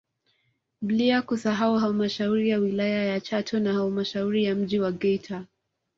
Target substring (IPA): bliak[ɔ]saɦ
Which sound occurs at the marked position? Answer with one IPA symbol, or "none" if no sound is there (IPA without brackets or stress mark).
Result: u